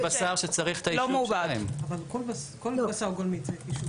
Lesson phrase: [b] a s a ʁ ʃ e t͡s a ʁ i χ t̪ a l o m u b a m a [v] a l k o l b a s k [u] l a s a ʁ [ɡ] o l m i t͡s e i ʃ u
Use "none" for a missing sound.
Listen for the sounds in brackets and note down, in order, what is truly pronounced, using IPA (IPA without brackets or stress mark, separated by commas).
b, v, o, ɡ